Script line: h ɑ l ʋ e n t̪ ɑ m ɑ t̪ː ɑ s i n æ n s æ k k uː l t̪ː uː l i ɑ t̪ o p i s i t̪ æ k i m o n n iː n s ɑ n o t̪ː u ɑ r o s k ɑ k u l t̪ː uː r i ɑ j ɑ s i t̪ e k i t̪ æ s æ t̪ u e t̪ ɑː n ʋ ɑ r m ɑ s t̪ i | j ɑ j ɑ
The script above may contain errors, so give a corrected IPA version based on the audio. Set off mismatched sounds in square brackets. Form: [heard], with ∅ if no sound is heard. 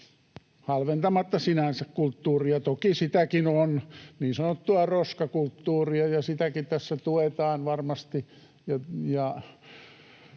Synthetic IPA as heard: h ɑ l ʋ e n t̪ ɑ m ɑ t̪ː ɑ s i n æ n s æ k k [u] l t̪ː uː [r] i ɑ t̪ o [k] i s i t̪ æ k i [n] o n n iː n s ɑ n o t̪ː u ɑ r o s k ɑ k u l t̪ː uː r i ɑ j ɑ s i t̪ [æ] k i t̪ æ [sː] æ t̪ u e t̪ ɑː n ʋ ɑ r m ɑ s t̪ i | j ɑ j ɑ

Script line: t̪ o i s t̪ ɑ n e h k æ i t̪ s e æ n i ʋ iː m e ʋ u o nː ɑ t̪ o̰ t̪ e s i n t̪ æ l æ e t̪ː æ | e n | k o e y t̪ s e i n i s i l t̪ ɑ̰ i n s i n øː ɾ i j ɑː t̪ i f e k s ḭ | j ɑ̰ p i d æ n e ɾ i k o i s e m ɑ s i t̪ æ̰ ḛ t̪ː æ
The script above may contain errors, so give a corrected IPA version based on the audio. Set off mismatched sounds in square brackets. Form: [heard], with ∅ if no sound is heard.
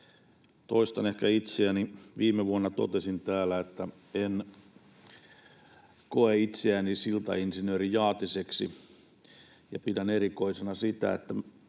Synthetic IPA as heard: t̪ o i s t̪ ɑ n e h k æ i t̪ s e æ n i ʋ iː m e ʋ u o nː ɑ t̪ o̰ t̪ e s i n t̪ [æː] l æ e t̪ː æ | e n | k o e [i] t̪ s e [æ] n i s i l t̪ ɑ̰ i n s i n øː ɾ i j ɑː t̪ i [s] e k s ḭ | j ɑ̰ p i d æ n e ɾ i k o i s e [n] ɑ s i t̪ æ̰ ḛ t̪ː æ

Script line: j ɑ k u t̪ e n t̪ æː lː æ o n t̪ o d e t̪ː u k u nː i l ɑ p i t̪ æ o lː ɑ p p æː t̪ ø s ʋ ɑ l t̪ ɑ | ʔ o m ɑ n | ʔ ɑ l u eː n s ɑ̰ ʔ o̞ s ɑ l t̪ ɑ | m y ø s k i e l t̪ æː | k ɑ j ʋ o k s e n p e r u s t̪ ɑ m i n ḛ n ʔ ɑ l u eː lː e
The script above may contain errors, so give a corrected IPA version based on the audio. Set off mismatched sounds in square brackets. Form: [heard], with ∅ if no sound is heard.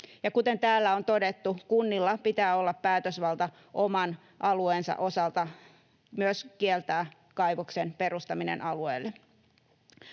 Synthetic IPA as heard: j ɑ k u t̪ e n t̪ æː lː æ o n t̪ o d e t̪ː u k u nː i [lː] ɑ p i t̪ [æː] o lː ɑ p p æː t̪ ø s ʋ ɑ l t̪ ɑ | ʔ o m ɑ n | ʔ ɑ l u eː n s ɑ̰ ʔ o̞ s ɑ l t̪ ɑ | m y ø s k i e l t̪ æː | k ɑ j ʋ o k s e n p e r u s t̪ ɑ m i n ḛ n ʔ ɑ l u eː lː e

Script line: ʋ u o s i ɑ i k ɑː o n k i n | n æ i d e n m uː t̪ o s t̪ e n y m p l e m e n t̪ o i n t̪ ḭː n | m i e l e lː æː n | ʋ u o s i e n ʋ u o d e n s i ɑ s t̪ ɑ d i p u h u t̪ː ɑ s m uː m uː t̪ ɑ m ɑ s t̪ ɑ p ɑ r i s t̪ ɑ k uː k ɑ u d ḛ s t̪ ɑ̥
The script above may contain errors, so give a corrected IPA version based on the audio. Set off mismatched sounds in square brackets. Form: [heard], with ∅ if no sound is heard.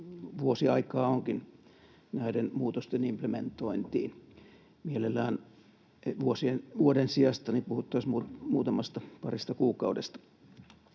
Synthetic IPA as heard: ʋ u o s i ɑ i k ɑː o [ŋ] k i n | n æ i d e n m uː t̪ o s t̪ e n [i] m p l e m e n t̪ o i n t̪ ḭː n | m i e l e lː æː n | ʋ u o s i e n ʋ u o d e n s i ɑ s t̪ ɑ [n] i p u h u t̪ː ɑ s m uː m uː t̪ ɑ m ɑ s t̪ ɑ p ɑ r i s t̪ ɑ k uː k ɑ u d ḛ s t̪ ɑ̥

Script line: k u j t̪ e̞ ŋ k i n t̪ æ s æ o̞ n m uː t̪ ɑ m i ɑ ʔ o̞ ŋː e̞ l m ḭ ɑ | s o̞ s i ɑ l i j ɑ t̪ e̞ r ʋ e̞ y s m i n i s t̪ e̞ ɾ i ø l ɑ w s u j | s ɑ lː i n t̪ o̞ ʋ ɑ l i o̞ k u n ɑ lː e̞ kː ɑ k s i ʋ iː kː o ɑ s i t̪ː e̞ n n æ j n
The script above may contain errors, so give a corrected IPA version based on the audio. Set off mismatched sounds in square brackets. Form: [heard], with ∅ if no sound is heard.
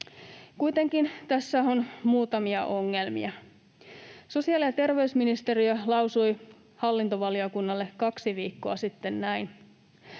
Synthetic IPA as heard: k u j t̪ e̞ ŋ k i n t̪ æ [sː] æ o̞ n m uː t̪ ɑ m i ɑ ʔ o̞ ŋː e̞ l m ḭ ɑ | s o̞ s i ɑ l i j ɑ t̪ e̞ r ʋ e̞ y s m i n i s t̪ e̞ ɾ i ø l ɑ w s u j | [h] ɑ lː i n t̪ o̞ ʋ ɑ l i o̞ k u [nː] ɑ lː e̞ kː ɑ k s i ʋ iː kː o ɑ s i t̪ː e̞ n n æ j n

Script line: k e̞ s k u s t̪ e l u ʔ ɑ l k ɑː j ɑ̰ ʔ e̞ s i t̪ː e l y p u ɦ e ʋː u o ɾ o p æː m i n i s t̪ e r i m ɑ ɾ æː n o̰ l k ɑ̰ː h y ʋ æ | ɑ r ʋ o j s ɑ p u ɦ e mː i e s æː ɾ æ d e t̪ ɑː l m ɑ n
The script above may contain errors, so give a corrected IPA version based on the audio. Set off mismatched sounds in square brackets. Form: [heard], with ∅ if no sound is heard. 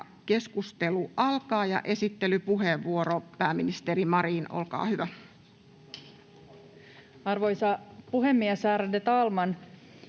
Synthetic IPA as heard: k e̞ s k u s t̪ e l u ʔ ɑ l k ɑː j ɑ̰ ʔ e̞ s i t̪ː e l y p u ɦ e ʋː u o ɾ o p æː m i n i s t̪ e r i m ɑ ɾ [iː] n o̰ l k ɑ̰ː h y ʋ æ | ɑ r ʋ o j s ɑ p u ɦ e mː i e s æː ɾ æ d e t̪ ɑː l m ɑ n

